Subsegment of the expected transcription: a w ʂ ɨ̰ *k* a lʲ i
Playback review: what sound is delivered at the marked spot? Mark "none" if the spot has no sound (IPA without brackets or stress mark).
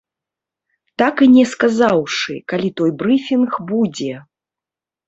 k